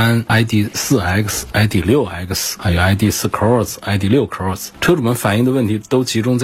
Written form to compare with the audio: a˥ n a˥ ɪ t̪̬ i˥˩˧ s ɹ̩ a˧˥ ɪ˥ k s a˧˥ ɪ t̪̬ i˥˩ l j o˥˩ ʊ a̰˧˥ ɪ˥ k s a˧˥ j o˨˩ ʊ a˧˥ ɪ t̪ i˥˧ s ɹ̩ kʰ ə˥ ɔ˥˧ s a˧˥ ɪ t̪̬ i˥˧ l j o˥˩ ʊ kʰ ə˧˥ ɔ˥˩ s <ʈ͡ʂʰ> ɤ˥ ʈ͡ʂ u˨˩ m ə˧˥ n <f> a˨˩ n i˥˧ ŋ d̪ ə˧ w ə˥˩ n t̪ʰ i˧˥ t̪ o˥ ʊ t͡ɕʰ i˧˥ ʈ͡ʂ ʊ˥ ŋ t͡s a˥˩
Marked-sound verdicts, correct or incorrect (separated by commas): correct, correct